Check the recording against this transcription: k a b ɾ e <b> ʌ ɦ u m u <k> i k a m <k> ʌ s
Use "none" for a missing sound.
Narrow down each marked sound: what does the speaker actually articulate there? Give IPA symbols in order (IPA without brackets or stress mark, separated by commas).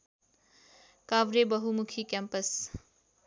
b, kʰ, p